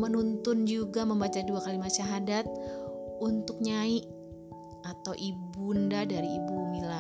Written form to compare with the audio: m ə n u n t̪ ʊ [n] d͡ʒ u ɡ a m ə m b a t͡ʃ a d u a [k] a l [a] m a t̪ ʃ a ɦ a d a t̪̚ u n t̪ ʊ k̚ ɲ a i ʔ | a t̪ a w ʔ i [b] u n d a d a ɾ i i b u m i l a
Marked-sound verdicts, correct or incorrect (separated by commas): correct, correct, incorrect, correct